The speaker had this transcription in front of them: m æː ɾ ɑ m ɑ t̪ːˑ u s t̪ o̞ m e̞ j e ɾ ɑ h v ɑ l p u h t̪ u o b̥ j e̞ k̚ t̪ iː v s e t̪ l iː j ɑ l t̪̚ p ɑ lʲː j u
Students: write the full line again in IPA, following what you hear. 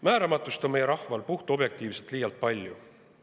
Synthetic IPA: m æː ɾ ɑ m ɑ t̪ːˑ u s t̪ o̞ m e̞ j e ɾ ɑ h v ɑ l p u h t̪ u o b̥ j e̞ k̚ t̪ iː v s e t̪ l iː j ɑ l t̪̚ p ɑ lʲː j u